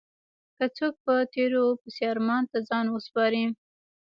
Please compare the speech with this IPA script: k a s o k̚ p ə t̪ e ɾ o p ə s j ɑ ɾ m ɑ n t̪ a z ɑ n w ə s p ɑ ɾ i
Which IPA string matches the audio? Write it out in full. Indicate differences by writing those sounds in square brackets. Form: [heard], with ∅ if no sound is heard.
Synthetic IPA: k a [t͡s] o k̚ p ə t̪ e ɾ o p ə s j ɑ ɾ m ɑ n t̪ a z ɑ n w ə s p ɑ ɾ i